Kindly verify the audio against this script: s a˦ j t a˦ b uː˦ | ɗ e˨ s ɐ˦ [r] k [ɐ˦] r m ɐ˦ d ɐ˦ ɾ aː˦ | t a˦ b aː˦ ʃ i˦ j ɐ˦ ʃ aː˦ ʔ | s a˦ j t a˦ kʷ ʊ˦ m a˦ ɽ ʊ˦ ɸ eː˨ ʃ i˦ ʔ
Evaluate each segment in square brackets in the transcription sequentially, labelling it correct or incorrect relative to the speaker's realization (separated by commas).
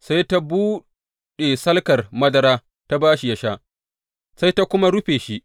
incorrect, incorrect